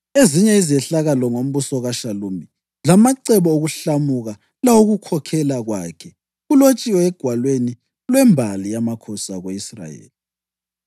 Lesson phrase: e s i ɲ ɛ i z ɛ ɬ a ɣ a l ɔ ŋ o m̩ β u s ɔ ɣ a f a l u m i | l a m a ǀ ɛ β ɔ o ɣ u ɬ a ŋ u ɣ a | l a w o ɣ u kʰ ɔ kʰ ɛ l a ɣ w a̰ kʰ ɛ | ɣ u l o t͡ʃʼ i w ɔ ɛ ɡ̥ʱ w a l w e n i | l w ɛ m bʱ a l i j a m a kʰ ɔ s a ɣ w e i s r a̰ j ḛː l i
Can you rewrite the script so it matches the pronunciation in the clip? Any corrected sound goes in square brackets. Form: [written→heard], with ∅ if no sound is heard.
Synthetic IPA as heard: e [s→z] i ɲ ɛ i z ɛ ɬ a ɣ a l ɔ ŋ o m̩ β u s ɔ ɣ a [f→ʃ] a l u m i | l a m a ǀ ɛ β ɔ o ɣ u ɬ a [ŋ→m] u ɣ a | l a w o ɣ u kʰ ɔ kʰ ɛ l a ɣ w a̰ kʰ ɛ | ɣ u l o t͡ʃʼ i w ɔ ɛ ɡ̥ʱ w a l w e n i | l w ɛ m bʱ a l i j a m a kʰ ɔ s a ɣ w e i s r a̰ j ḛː l i